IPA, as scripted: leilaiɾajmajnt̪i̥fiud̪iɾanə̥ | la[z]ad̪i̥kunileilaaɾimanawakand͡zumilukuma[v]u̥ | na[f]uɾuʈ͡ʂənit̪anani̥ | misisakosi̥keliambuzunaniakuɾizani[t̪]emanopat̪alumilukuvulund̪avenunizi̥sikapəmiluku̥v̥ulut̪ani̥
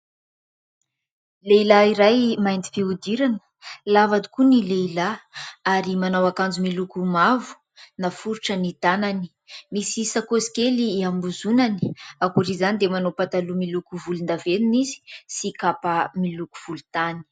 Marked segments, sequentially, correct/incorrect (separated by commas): incorrect, correct, correct, incorrect